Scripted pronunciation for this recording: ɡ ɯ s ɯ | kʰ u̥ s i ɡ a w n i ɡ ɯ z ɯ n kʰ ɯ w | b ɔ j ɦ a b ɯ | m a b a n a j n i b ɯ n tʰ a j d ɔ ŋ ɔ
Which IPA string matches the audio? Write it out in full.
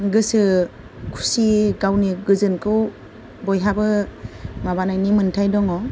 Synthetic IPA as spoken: ɡ ɯ s ɯ | kʰ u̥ s i ɡ a w n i ɡ ɯ z ɯ n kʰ ɯ w | b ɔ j ɦ a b ɯ | m a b a n a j n i m ɯ n tʰ a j d ɔ ŋ ɔ